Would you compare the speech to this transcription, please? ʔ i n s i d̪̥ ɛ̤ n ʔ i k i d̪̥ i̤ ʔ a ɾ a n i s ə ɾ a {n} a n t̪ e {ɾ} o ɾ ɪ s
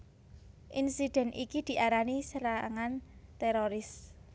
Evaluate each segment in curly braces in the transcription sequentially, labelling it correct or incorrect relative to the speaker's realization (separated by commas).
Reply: incorrect, correct